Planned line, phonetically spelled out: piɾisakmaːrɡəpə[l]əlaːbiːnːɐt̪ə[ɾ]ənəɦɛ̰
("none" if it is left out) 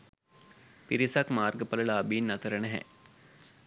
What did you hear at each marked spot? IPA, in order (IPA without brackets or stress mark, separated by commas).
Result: l, ɾ